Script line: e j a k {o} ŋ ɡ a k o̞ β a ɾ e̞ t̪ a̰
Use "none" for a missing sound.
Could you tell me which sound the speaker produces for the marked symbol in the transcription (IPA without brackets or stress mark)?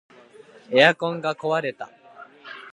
õ